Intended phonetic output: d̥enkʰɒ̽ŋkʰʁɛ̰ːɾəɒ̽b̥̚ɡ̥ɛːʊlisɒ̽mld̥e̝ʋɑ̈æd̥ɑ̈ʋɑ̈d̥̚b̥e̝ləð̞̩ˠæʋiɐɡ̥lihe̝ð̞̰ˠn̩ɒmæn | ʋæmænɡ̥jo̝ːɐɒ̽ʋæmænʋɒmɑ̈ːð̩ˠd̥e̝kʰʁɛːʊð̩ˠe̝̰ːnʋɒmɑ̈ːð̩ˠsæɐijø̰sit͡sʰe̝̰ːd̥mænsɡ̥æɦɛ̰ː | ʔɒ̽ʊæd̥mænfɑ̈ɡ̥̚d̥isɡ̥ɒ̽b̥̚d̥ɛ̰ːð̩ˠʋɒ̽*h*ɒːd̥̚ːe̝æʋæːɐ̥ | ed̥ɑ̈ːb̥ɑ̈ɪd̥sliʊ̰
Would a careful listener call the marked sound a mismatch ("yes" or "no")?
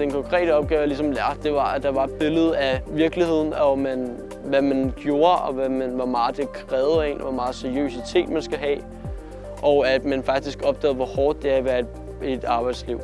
no